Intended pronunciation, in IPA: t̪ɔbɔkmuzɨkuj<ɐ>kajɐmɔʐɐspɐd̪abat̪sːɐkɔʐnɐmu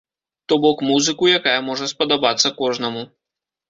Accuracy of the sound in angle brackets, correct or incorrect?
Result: incorrect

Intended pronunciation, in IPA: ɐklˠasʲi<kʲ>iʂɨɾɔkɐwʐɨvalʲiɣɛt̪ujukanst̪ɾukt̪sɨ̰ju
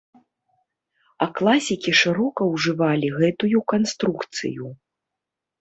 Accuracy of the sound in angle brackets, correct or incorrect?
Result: correct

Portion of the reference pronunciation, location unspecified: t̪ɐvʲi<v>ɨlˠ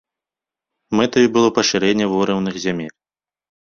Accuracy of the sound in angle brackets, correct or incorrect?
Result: incorrect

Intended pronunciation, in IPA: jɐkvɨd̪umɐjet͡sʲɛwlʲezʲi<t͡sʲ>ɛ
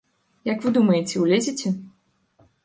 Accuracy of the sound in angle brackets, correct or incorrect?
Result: correct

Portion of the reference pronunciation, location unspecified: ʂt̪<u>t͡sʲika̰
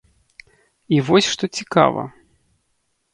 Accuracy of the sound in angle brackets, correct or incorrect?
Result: incorrect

